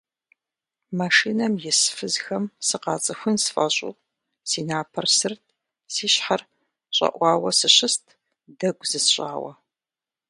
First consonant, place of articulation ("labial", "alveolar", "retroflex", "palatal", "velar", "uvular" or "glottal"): labial